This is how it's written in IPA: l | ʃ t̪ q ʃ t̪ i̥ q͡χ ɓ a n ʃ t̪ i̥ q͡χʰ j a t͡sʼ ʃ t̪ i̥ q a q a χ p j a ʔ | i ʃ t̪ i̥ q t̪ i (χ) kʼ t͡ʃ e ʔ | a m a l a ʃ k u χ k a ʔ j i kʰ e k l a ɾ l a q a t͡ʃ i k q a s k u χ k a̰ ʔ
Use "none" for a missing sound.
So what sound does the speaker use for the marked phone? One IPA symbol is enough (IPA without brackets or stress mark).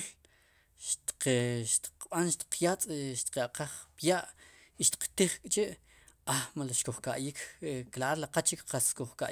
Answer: χ